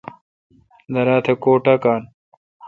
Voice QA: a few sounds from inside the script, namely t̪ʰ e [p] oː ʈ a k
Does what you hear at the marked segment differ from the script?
yes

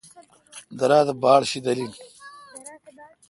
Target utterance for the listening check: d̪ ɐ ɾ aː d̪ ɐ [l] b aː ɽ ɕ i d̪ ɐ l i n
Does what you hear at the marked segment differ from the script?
yes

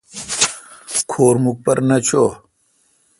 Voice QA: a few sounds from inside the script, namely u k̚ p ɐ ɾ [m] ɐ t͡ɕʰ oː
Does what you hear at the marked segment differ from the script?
yes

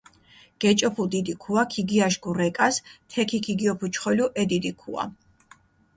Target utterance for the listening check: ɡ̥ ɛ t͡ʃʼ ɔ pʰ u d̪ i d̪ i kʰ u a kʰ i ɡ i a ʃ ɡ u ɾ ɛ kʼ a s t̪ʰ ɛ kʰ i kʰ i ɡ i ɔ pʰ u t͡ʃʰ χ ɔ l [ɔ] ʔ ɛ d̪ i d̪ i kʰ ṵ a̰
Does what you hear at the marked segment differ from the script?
yes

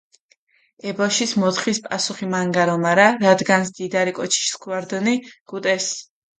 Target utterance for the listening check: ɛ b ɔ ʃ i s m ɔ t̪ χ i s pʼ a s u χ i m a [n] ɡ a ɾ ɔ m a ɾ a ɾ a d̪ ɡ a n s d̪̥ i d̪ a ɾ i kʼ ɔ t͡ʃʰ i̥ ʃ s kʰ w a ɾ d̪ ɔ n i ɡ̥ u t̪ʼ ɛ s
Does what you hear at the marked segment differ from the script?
yes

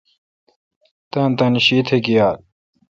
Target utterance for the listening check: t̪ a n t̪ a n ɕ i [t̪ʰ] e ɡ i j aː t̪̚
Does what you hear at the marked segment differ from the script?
no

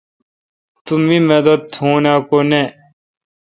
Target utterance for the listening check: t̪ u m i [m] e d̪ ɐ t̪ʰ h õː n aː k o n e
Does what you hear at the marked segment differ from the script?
no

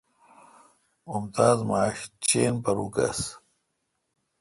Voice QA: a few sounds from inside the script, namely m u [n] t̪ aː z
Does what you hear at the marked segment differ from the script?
yes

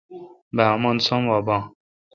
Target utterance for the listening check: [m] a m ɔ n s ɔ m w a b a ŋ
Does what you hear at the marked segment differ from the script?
yes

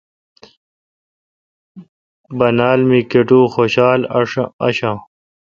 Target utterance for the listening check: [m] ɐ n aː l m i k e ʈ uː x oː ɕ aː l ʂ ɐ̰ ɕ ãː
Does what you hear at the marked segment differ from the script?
yes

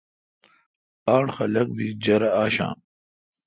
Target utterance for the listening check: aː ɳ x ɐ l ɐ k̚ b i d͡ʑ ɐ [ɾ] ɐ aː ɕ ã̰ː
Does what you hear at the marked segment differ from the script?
no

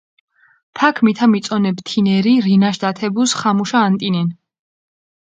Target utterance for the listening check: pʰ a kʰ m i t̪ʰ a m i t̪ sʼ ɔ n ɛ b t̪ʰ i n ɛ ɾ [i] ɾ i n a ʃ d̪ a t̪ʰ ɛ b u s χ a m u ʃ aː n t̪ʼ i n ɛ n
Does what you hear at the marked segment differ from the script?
no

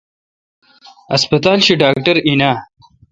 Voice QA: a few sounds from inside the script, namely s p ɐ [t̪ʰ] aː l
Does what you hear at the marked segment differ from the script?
yes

